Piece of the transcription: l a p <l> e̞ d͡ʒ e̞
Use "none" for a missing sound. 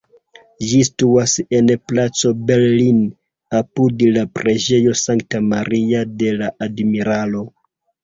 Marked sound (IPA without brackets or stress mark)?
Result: ɾ